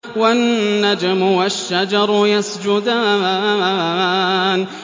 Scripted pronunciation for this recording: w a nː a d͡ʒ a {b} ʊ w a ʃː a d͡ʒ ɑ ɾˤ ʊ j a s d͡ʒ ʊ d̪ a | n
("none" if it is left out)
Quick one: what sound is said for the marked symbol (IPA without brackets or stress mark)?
m